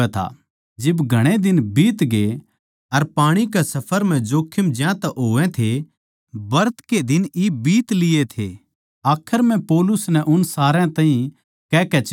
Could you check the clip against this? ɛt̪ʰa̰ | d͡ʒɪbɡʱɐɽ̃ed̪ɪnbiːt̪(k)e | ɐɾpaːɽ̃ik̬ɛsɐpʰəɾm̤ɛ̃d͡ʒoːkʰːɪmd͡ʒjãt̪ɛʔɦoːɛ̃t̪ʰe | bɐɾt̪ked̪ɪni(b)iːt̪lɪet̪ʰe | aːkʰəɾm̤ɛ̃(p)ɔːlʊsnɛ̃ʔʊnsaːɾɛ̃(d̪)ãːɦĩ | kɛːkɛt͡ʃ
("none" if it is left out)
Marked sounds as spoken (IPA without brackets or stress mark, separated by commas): ɡ, b, p, t̪